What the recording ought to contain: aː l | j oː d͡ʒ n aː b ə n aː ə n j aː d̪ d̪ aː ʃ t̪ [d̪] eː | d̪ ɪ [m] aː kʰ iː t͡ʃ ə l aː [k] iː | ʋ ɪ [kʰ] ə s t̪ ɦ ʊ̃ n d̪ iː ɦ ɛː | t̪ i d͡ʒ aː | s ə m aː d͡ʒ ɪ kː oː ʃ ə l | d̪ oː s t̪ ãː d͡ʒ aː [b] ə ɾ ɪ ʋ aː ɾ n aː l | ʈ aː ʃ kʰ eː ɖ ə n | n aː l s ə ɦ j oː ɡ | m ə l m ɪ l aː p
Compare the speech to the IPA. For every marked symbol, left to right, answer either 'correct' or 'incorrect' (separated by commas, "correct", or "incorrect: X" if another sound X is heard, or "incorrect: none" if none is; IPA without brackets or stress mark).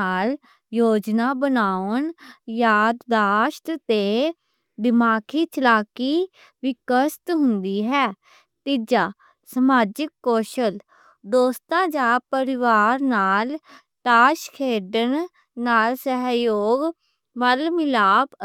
incorrect: t̪, correct, correct, incorrect: k, incorrect: p